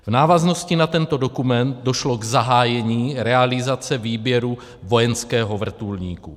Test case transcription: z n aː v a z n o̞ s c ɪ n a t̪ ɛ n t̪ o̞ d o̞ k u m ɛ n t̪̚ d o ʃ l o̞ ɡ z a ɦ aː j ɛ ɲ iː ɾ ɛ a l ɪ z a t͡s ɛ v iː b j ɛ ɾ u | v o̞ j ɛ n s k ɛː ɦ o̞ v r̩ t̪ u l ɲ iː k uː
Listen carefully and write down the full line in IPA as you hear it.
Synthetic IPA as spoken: v n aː v a z n o̞ s c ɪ n a t̪ ɛ n t̪ o̞ d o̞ k u m ɛ n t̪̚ d o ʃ l o̞ ɡ z a ɦ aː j ɛ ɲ iː ɾ ɛ a l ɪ z a t͡s ɛ v iː b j ɛ ɾ u | v o̞ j ɛ n s k ɛː ɦ o̞ v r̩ t̪ u l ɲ iː k u

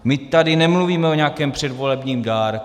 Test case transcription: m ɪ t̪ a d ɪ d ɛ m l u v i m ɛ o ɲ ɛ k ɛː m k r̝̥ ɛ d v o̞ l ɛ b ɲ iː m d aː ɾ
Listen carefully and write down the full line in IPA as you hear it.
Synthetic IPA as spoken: m ɪ t̪ a d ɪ n ɛ m l u v iː m ɛ o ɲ a k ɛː m p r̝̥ ɛ d v o̞ l ɛ b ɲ iː m d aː ɾ

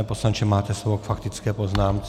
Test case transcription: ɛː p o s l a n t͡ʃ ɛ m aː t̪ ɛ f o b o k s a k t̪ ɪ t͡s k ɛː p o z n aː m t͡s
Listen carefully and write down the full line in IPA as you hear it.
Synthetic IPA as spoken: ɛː p o s l a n t͡ʃ ɛ m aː t̪ ɛ s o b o k f a k t̪ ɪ t͡s k ɛː p o z n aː m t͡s

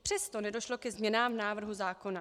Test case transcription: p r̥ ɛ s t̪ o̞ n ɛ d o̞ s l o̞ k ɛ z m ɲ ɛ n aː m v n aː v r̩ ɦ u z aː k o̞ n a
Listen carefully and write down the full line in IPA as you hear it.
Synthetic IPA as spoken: p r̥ ɛ s t̪ o̞ n ɛ d o̞ ʃ l o̞ k ɛ z m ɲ ɛ n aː m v n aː v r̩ ɦ u z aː k o̞ n a

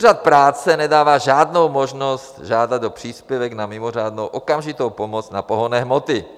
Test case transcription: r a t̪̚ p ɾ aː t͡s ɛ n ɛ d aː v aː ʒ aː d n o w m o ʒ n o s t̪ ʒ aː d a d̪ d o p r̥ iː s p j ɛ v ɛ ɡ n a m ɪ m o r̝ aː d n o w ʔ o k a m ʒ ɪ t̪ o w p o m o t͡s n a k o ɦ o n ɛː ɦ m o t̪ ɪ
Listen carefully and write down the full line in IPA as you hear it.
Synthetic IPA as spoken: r a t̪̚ p ɾ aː t͡s ɛ n ɛ d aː v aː ʒ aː d n o w m o ʒ n o s t̪ ʒ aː d a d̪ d o p r̥ iː s p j ɛ v ɛ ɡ n a m ɪ m o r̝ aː d n o w ʔ o k a m ʒ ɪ t̪ o w p o m o t͡s n a p o ɦ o n ɛː ɦ m o t̪ ɪ

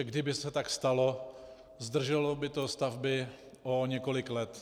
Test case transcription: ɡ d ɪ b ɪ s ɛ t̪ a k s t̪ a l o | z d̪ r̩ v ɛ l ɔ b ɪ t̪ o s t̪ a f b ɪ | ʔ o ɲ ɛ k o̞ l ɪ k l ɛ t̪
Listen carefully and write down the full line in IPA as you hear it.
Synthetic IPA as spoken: ɡ d ɪ b ɪ s ɛ t̪ a k s t̪ a l o | z d̪ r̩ ʒ ɛ l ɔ b ɪ t̪ o s t̪ a v b ɪ | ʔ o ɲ ɛ k o̞ l ɪ k l ɛ t̪

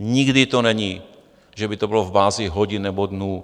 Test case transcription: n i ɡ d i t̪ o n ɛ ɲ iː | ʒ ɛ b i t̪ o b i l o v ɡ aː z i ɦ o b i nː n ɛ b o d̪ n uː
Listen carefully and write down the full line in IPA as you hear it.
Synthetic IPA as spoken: ɲ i ɡ d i t̪ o n ɛ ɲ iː | ʒ ɛ b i t̪ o b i l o v b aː z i ɦ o ɟ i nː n ɛ b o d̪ n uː

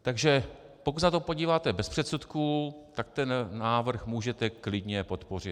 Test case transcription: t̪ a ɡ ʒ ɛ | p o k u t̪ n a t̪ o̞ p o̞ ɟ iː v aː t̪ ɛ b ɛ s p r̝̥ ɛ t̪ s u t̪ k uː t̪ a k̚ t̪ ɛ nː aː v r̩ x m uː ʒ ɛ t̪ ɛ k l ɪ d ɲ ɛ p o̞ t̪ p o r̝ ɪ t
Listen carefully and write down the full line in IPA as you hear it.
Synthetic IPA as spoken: t̪ a ɡ ʒ ɛ | p o k u t̪ n a t̪ o̞ p o̞ ɟ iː v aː t̪ ɛ b ɛ s p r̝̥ ɛ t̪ s u t̪ k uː t̪ a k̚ t̪ ɛ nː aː v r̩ x m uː ʒ ɛ t̪ ɛ k l ɪ d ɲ ɛ p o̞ t̪ p o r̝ ɪ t

